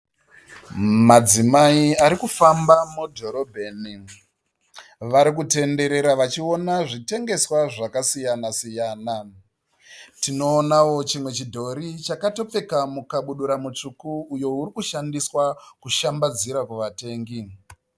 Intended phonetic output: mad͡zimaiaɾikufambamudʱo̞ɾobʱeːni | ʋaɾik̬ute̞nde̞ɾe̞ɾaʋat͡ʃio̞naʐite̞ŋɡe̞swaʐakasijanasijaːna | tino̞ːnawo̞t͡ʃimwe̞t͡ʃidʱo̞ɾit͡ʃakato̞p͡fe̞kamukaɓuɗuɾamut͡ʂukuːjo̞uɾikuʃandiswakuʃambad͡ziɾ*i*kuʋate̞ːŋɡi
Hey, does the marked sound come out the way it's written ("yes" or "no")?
no